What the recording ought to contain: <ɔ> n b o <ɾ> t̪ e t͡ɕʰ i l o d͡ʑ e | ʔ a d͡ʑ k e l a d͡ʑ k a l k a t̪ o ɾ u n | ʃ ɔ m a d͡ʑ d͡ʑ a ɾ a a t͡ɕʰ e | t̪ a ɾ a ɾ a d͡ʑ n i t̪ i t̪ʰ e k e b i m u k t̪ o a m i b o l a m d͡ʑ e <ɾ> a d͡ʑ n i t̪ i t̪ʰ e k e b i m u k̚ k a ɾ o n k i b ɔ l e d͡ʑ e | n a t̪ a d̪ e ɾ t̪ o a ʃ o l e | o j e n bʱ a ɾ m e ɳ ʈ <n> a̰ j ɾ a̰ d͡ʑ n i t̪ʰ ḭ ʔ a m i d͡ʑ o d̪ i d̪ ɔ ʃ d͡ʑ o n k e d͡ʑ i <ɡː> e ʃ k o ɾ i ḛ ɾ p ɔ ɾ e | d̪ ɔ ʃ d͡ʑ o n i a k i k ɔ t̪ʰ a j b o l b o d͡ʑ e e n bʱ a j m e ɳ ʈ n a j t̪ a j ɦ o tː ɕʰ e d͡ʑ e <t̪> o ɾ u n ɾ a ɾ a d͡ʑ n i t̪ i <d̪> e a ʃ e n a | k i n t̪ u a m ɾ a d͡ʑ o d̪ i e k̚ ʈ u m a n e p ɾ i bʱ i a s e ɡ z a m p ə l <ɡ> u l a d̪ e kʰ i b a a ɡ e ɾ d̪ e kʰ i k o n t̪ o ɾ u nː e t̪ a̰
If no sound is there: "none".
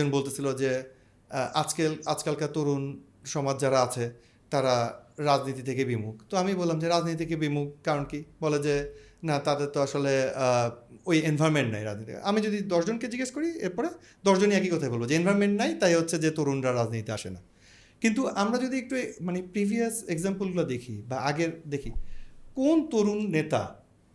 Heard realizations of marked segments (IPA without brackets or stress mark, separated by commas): o, l, ɾ, n, ɡ, t̪, t̪, ɡ